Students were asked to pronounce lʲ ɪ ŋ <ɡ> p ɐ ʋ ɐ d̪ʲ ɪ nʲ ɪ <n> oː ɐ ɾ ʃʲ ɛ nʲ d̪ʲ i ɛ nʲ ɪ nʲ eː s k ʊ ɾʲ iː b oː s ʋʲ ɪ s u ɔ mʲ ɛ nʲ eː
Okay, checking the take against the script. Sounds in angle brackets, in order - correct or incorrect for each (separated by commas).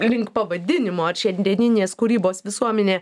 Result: incorrect, incorrect